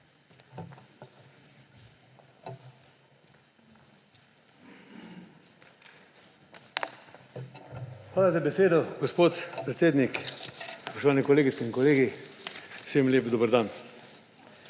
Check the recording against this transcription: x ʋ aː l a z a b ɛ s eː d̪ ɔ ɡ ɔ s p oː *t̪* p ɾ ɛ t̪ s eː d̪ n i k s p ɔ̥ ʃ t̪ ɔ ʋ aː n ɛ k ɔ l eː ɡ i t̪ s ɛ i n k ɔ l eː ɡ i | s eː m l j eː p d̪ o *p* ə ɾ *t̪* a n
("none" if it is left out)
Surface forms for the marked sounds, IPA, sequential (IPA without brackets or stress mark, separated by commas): t̪, b, d̪